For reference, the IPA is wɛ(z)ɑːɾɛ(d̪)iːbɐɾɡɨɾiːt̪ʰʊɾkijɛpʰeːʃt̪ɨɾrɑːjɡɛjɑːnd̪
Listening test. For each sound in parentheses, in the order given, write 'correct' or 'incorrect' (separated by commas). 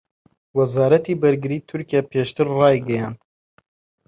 correct, incorrect